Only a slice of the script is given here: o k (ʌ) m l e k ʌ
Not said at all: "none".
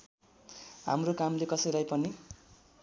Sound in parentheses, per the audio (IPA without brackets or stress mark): a